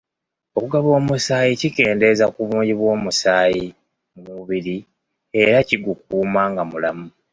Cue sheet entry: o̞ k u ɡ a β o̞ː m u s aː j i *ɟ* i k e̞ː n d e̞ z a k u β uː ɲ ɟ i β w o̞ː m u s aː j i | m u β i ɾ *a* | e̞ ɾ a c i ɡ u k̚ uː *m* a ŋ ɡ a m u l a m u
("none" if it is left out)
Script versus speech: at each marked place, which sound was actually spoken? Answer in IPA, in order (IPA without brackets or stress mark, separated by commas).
c, i, m